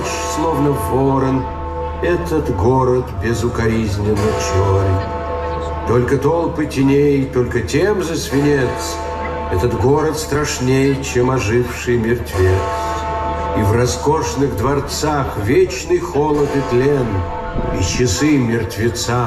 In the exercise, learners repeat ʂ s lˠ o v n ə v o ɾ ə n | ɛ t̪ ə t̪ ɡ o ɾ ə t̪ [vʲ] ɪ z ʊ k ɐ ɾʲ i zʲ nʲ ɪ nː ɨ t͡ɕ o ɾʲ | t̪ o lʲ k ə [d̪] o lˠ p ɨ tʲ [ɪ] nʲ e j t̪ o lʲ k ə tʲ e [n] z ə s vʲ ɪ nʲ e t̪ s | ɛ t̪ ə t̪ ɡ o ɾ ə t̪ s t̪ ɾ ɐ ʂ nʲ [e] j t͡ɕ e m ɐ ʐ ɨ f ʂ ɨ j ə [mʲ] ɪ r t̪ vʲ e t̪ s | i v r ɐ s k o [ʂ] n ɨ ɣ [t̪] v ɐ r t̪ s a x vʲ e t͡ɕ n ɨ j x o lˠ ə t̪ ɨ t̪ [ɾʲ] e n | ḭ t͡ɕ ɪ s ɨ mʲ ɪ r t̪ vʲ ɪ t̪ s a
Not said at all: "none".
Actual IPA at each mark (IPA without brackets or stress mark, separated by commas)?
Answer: bʲ, t̪, ɪ, m, e, mʲ, ʂ, d̪, lʲ